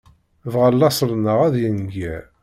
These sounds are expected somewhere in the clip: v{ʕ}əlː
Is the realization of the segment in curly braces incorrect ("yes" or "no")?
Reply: yes